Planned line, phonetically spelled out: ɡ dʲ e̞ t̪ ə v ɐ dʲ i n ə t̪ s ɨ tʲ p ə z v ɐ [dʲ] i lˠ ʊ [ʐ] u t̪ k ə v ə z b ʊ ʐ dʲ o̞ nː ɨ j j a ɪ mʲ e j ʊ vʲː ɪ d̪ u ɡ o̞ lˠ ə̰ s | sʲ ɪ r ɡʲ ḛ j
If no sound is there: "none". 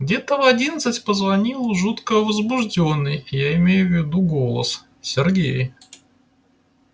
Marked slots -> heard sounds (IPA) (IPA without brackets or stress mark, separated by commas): nʲ, ʐ